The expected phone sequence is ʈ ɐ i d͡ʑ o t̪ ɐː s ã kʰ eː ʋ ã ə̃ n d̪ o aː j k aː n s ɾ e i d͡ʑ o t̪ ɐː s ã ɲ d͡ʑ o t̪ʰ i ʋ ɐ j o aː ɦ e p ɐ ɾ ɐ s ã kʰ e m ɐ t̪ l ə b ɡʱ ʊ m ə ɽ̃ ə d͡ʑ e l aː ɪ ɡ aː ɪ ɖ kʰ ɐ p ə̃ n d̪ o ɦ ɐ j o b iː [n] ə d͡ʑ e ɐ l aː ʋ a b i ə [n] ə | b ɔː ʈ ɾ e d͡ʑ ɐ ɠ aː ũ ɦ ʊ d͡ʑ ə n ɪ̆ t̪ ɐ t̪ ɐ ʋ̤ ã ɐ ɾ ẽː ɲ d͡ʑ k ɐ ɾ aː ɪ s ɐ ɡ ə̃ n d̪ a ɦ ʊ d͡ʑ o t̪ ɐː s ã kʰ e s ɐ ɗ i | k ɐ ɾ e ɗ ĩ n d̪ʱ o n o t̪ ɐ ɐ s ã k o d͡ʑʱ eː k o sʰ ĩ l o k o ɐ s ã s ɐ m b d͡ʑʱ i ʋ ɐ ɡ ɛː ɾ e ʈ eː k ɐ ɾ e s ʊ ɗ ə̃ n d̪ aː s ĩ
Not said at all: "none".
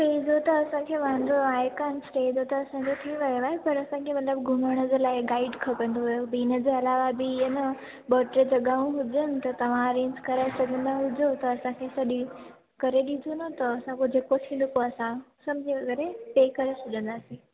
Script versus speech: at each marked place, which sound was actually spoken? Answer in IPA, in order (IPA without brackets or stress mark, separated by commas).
n, n